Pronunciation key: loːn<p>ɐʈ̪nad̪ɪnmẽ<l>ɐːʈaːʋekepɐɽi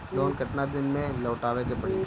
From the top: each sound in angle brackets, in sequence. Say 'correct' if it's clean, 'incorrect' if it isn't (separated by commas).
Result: incorrect, correct